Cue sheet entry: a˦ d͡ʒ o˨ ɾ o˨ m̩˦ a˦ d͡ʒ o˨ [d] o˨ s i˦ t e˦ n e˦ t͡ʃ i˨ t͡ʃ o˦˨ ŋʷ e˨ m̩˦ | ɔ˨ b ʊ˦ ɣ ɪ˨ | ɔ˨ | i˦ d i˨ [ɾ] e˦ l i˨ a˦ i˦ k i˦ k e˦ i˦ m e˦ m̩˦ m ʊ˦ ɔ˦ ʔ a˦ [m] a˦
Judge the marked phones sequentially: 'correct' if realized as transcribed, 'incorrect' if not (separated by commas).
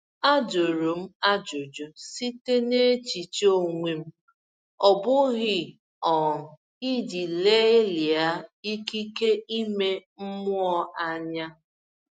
incorrect, incorrect, incorrect